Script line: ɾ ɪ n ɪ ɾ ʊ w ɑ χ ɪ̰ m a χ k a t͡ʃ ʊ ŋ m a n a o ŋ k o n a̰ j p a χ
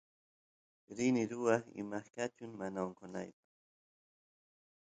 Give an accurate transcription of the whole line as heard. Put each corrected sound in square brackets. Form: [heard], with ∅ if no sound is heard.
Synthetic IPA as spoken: ɾ ɪ n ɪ ɾ ʊ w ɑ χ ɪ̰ m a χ k a t͡ʃ ʊ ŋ m a n a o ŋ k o n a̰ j p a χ